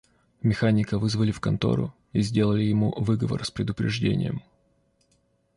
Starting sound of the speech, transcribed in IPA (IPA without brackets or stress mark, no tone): mʲ